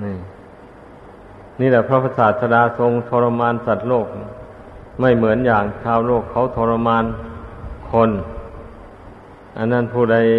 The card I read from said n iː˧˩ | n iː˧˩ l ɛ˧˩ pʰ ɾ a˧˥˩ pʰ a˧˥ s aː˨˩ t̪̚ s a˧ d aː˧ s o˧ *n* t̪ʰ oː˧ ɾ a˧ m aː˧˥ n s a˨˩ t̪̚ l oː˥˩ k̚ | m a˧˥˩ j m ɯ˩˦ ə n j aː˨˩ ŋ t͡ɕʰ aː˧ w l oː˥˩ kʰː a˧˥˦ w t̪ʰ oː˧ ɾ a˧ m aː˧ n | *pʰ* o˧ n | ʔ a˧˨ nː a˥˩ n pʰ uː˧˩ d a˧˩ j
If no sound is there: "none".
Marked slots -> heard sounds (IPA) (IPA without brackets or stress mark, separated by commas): ŋ, kʰ